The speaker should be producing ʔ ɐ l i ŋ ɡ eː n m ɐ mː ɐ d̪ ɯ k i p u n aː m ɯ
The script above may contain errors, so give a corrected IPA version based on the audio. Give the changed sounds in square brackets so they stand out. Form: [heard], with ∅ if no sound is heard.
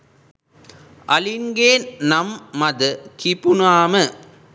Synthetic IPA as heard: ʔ ɐ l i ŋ ɡ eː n [n] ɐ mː ɐ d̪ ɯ k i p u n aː m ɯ